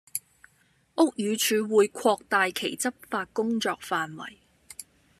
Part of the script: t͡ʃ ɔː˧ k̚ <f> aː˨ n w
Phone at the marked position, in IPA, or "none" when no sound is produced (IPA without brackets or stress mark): f